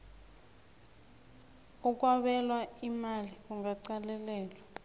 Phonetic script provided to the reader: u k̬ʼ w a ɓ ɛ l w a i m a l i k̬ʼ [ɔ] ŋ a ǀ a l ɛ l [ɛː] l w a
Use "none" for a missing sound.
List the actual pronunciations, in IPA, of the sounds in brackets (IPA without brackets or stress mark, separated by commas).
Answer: u, ɛː